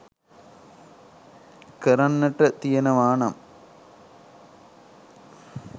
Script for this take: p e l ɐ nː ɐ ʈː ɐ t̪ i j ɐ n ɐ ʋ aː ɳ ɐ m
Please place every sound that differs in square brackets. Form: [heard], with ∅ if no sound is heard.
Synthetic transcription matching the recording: [k] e [ɾ] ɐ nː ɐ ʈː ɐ t̪ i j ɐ n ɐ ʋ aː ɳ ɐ m

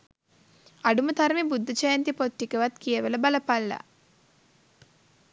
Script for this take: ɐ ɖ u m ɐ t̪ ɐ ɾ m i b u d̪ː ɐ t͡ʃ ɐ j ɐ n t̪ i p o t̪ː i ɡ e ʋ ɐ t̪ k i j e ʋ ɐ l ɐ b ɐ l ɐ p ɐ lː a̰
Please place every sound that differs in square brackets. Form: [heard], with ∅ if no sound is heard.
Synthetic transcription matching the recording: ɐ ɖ u m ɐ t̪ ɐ ɾ m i b u d̪ː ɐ t͡ʃ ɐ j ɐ n t̪ i p o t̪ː i [k] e ʋ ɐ t̪ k i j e ʋ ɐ l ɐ b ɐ l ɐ p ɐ lː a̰

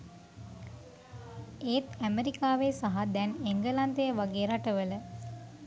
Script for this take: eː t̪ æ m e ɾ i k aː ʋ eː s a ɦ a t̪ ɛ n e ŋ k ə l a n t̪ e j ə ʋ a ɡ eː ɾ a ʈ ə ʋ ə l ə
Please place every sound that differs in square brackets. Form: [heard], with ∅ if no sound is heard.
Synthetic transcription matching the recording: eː t̪ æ m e ɾ i k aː ʋ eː s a ɦ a [d̪] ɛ n e ŋ [ɡ] ə l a n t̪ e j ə ʋ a ɡ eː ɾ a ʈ ə ʋ ə l ə

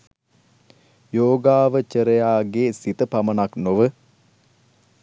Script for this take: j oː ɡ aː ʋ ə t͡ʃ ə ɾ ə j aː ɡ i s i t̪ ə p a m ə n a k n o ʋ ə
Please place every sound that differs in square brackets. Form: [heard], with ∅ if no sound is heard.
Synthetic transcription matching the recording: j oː ɡ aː ʋ ə t͡ʃ ə ɾ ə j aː ɡ [e] s i t̪ ə p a m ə n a k n o ʋ ə

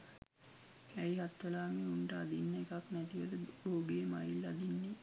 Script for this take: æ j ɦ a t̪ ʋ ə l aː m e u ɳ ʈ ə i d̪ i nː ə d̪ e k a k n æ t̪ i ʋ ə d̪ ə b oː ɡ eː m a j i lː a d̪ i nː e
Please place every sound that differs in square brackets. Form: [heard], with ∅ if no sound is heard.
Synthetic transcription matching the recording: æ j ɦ a t̪ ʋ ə l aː m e u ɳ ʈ ə [a] d̪ i nː ə [∅] e k a k n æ t̪ i ʋ ə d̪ ə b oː ɡ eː m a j i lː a d̪ i nː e

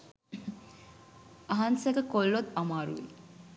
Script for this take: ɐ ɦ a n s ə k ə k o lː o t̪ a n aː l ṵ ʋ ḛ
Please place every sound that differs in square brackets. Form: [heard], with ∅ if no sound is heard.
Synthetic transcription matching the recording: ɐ ɦ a n s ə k ə k o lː o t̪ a [m] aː [ɾ] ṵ ʋ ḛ

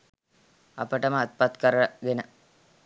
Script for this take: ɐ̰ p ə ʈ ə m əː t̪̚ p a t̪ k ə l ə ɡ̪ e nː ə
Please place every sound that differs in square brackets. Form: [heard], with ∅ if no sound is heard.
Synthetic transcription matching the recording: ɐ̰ p ə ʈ ə m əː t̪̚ p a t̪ k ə [ɾ] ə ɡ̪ e [n] ə

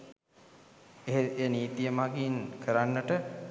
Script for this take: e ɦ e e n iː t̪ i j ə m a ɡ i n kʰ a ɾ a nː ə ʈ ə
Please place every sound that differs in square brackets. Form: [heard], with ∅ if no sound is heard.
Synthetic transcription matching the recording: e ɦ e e n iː t̪ i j ə m a ɡ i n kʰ [ə] ɾ a nː ə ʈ ə

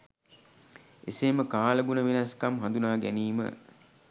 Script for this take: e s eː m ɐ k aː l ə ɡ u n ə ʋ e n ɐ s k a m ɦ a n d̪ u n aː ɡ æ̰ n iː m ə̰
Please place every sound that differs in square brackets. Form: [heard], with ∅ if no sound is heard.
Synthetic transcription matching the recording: e s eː m [ə] k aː l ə ɡ u n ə ʋ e n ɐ s k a m ɦ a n d̪ u n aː ɡ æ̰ n iː m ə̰

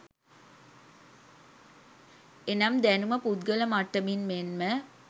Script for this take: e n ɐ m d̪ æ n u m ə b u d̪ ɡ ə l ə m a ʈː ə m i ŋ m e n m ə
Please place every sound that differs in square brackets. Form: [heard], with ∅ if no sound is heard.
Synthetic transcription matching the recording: e n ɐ m d̪ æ n u m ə [p] u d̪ ɡ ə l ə m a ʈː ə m i [n] m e n m ə

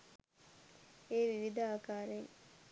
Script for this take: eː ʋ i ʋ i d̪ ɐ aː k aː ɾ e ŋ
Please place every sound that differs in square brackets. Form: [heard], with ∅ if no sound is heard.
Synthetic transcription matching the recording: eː ʋ i ʋ i d̪ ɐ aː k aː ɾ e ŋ

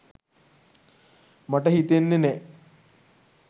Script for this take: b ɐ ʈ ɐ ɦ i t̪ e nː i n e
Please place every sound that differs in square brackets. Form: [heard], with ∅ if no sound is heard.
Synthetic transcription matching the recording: [m] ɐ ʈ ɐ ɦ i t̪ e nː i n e

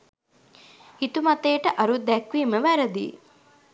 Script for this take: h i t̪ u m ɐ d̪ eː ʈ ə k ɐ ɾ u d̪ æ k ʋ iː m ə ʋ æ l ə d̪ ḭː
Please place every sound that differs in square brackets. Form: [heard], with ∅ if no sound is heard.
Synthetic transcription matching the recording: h i t̪ u m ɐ [t̪] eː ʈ ə [ʔ] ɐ ɾ u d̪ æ k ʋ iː m ə ʋ æ [ɾ] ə d̪ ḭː

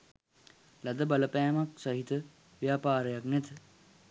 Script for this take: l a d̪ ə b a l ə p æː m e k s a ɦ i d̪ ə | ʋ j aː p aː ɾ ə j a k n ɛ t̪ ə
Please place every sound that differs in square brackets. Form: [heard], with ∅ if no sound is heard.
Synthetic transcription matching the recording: l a d̪ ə b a l ə p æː m [a] k s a ɦ i [t̪] ə | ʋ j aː p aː ɾ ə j a k n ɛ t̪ ə

